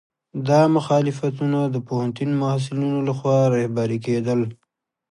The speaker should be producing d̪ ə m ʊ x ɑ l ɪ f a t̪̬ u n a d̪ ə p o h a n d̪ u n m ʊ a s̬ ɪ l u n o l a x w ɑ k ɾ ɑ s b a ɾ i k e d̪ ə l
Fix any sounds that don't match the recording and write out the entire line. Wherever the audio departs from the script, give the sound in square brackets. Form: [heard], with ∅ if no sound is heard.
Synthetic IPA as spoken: d̪ [ɑ] m ʊ x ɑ l ɪ f a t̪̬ u n a d̪ ə p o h a n [t̪] u n m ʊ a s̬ ɪ l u n o l a x w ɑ [∅] ɾ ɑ [h] b a ɾ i k e d̪ ə l